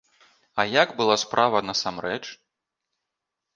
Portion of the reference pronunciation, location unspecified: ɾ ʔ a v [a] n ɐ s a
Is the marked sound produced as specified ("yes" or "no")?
no